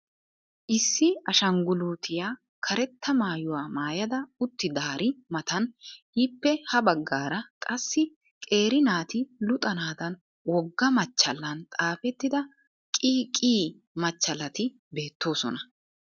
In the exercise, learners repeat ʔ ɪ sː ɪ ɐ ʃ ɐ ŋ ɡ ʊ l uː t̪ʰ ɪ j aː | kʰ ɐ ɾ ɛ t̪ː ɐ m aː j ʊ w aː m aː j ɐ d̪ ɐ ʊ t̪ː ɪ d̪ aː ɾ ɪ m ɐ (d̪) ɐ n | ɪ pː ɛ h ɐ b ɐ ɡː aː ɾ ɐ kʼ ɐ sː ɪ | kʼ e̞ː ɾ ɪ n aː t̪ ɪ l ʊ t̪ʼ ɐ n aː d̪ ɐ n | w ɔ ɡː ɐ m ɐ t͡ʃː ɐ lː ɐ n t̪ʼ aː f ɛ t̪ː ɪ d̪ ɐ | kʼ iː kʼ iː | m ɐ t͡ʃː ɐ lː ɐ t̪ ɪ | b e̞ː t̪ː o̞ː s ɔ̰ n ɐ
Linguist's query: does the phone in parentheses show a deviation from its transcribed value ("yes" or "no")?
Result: yes